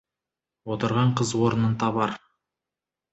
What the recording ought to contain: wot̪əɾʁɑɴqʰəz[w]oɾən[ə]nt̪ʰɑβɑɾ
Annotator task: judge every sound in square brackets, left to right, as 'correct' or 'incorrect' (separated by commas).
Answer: correct, correct